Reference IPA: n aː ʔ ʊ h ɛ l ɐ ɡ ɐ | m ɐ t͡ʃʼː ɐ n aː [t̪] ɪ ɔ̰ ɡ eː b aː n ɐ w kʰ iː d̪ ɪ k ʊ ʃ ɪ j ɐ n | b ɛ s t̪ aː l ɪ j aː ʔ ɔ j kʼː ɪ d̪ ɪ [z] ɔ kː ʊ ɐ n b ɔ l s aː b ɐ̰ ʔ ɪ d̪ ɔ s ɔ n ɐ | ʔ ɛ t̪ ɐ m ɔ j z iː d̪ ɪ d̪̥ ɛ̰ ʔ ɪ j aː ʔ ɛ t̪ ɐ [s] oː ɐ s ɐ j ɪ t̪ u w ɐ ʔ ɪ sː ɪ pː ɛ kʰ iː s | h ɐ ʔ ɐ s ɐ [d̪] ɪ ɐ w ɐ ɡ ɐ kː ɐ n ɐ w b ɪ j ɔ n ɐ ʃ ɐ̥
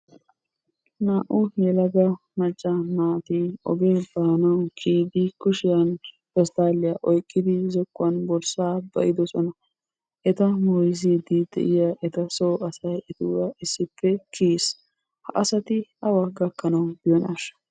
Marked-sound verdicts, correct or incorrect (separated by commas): correct, correct, correct, incorrect